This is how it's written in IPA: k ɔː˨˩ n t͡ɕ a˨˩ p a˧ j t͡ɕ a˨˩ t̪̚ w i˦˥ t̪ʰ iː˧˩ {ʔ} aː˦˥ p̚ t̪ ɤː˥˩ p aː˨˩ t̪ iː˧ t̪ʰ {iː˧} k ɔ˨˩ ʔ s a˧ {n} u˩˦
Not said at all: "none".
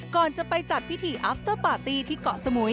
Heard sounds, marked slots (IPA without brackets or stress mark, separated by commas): ʔ, iː˥˩, m